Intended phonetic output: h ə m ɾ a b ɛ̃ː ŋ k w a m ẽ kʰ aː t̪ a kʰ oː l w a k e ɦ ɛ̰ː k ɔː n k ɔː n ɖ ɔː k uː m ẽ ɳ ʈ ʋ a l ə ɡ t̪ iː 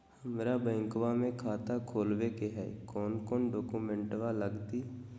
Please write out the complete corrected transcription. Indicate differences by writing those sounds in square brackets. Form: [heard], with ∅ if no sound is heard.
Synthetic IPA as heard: h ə m ɾ a b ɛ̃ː ŋ k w a m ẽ kʰ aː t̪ a kʰ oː l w [e] k e ɦ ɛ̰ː k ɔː n k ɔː n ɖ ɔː k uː m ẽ ɳ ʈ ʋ a l ə ɡ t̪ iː

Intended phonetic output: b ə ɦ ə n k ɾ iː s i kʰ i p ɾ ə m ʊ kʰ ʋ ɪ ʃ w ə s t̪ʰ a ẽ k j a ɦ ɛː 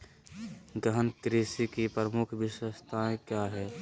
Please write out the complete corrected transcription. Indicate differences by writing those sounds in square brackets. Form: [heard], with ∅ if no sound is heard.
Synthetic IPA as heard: [ɡ] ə ɦ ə n k ɾ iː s i [k] i p ɾ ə m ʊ kʰ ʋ ɪ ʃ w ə s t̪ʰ a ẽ k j a ɦ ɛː

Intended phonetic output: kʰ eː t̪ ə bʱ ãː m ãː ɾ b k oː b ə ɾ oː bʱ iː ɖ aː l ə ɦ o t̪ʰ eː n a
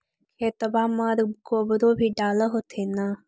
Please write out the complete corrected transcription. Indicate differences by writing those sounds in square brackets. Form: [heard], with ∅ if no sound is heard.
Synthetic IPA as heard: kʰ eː t̪ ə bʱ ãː m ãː ɾ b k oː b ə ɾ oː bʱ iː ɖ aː l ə ɦ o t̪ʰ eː n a

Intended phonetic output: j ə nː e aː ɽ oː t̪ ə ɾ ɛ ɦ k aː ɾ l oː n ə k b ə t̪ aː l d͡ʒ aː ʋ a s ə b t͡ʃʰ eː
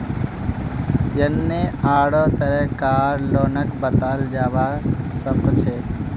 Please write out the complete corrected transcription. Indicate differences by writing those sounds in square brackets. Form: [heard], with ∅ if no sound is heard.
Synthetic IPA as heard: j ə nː e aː ɽ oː t̪ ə ɾ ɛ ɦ k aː ɾ l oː n ə k b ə t̪ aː l d͡ʒ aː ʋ a s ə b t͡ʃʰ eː

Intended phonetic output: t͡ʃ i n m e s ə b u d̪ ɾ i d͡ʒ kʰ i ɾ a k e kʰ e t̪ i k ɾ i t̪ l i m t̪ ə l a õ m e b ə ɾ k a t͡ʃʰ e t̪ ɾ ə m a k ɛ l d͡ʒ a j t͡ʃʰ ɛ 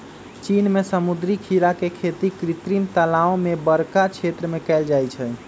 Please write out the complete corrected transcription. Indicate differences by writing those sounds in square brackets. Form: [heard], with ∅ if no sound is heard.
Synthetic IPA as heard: t͡ʃ i n m e s ə [m] u d̪ ɾ i [∅] kʰ i ɾ a k e kʰ e t̪ i k ɾ i t̪ [ɾ] i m t̪ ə l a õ m e b ə ɾ k a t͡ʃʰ e t̪ ɾ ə m [e] k ɛ l d͡ʒ a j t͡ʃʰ ɛ

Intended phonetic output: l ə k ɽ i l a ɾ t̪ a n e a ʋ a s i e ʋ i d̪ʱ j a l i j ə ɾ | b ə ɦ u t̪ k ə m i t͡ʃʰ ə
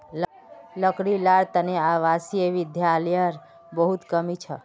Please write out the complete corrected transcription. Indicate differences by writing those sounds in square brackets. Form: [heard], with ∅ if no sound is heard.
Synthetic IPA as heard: l ə k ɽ i l a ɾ t̪ [ə] n e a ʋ a s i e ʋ i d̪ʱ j a l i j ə ɾ | b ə ɦ u t̪ k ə m i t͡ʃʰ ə

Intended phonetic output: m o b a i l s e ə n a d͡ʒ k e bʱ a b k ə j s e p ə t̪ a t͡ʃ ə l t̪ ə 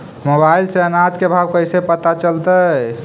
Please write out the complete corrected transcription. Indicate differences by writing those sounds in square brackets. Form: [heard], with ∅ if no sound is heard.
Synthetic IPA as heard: m o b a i l s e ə n a d͡ʒ k e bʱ a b k ə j s e p ə t̪ a t͡ʃ ə l t̪ ə

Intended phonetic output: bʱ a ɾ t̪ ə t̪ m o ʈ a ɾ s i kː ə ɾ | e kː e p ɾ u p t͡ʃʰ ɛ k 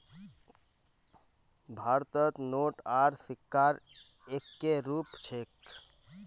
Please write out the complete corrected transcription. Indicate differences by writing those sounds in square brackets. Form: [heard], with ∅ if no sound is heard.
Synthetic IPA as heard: bʱ a ɾ t̪ ə t̪ [n] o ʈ a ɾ s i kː [a] ɾ | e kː e [∅] ɾ u p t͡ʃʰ [e] k

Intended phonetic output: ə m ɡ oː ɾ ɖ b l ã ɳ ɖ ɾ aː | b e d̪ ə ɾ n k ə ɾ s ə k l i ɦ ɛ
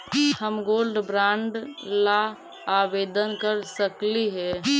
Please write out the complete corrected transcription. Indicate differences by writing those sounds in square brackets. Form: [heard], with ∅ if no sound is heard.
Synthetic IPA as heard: ə m ɡ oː [l] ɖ b [ɾ] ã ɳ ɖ [l] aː | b e d̪ ə [∅] n k ə ɾ s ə k l i ɦ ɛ

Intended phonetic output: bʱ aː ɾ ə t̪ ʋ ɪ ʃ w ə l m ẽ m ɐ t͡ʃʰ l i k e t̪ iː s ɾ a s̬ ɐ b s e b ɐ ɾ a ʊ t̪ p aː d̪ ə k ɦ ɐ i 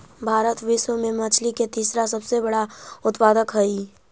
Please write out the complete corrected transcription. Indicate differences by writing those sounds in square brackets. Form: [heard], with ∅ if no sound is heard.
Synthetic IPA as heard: bʱ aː ɾ ə t̪ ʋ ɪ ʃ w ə [∅] m ẽ m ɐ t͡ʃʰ l i k e t̪ iː s ɾ a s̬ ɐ b s e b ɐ [ɽ] a ʊ t̪ p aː d̪ ə k ɦ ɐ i

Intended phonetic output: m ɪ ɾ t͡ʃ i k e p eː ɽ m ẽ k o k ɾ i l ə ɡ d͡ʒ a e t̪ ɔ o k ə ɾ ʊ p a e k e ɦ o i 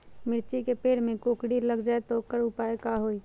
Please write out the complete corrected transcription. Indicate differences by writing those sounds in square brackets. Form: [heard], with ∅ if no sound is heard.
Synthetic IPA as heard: m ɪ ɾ t͡ʃ i k e p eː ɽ m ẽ k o k [ɽ] i l ə ɡ d͡ʒ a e t̪ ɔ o k ə ɾ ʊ p a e k [a] ɦ o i

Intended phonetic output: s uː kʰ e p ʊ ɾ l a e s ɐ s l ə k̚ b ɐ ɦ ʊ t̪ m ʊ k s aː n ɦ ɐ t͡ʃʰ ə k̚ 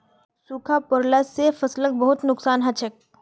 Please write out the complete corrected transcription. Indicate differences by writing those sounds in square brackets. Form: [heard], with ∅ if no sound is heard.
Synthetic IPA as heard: s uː kʰ [a] p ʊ ɾ l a e [f] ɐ s l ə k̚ b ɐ ɦ ʊ t̪ [n] ʊ k s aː n ɦ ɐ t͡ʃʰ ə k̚

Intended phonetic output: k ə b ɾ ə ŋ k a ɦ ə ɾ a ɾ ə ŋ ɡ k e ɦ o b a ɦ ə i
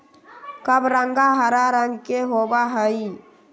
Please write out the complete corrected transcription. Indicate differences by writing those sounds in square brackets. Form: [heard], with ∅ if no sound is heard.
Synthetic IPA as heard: k ə b ɾ ə ŋ [ɡ] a ɦ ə ɾ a ɾ ə ŋ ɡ k e ɦ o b a ɦ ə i

